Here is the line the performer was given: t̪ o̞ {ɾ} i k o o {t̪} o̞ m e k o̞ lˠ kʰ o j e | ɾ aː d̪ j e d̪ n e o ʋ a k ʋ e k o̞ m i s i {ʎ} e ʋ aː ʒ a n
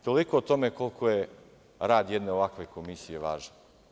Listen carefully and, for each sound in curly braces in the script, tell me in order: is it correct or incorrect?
incorrect: l, correct, incorrect: j

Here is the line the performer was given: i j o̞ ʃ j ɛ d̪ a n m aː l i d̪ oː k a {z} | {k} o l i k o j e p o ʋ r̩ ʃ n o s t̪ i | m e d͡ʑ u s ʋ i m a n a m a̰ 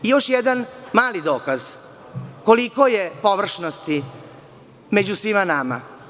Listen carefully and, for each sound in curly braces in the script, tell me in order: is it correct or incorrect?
correct, correct

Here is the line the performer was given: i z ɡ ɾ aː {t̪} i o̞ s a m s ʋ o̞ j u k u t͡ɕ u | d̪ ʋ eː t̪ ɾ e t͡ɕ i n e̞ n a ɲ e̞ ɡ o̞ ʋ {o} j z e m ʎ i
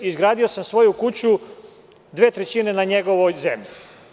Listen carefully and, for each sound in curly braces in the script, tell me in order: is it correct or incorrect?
incorrect: d̪, correct

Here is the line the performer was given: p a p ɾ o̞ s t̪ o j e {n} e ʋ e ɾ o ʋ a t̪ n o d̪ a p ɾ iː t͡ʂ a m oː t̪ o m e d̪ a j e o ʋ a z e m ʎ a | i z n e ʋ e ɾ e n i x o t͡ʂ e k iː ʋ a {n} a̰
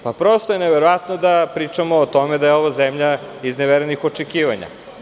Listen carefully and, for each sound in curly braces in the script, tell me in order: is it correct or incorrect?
correct, incorrect: ɲ

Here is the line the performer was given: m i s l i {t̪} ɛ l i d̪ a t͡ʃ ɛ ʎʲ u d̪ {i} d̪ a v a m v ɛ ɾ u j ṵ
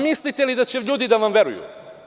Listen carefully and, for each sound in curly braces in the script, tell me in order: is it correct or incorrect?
correct, correct

